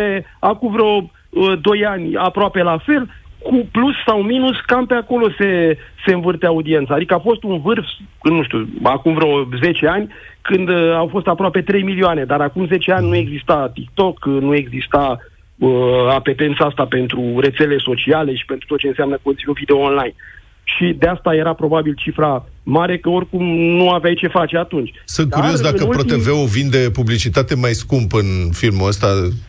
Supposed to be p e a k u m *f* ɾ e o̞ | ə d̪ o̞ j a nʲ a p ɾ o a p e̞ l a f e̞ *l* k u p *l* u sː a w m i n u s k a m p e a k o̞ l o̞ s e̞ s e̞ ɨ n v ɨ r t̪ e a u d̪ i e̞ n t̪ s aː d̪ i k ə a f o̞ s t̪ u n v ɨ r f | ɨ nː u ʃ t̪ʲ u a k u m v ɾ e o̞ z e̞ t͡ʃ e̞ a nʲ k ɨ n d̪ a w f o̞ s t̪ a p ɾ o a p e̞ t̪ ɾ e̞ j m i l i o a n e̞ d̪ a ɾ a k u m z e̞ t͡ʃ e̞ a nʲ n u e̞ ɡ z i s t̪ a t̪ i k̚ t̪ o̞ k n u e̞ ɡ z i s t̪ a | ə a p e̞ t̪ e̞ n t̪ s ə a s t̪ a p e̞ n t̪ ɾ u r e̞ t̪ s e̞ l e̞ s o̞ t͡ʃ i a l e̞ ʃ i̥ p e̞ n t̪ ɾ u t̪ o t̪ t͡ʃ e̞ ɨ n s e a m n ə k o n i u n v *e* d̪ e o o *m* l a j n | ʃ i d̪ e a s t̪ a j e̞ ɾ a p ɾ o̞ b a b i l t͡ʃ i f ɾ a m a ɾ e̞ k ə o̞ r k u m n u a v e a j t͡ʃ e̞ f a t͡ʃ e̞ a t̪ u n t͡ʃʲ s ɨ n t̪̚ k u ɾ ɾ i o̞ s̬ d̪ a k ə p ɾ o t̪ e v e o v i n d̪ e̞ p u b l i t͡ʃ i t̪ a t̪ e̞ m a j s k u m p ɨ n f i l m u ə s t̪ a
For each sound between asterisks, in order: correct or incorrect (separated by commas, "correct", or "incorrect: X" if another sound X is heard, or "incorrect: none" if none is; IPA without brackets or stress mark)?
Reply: incorrect: v, correct, correct, incorrect: i, incorrect: n